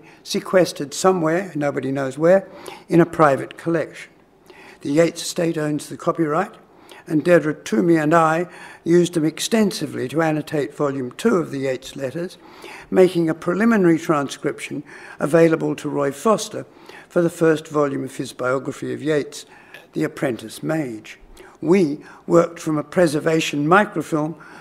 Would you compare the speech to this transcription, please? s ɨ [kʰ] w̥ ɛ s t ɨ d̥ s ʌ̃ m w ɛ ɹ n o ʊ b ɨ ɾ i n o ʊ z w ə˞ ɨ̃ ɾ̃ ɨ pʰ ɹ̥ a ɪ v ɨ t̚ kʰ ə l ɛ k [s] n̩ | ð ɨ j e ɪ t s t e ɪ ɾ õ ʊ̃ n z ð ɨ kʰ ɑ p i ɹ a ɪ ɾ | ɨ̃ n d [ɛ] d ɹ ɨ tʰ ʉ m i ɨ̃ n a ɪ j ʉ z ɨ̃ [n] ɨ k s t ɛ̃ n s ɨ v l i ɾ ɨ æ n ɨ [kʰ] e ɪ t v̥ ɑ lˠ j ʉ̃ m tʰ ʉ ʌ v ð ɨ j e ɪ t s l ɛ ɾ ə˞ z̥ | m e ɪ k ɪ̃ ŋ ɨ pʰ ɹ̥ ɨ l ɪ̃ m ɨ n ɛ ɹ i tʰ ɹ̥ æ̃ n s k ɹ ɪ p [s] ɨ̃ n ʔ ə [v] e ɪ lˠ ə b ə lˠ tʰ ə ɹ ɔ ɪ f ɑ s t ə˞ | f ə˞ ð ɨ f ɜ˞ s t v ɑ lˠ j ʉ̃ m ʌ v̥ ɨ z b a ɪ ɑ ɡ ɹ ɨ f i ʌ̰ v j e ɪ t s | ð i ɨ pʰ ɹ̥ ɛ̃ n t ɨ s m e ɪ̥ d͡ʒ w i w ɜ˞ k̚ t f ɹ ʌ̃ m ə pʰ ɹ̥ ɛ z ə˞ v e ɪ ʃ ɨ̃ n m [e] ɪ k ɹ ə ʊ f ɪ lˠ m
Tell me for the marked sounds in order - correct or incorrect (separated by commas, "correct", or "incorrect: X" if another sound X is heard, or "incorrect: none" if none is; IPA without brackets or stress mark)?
correct, incorrect: ʃ, correct, incorrect: m, incorrect: tʰ, incorrect: ʃ, correct, incorrect: a